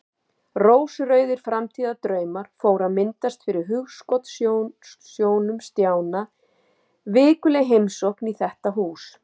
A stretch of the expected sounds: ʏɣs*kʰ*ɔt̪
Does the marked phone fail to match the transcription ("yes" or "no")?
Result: yes